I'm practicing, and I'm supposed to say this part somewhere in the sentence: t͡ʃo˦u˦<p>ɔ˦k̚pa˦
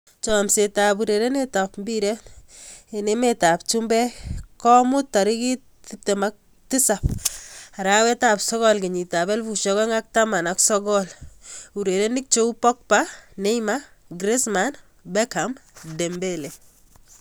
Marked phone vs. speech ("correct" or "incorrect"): correct